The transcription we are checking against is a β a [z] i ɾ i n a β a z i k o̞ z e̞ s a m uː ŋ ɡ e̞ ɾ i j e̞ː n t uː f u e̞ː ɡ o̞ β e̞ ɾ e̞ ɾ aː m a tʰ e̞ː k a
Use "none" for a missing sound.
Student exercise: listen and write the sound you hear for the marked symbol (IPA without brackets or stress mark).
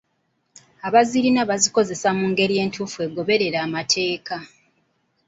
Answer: z